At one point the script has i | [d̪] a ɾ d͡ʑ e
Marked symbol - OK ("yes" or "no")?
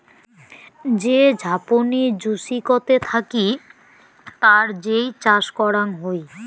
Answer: no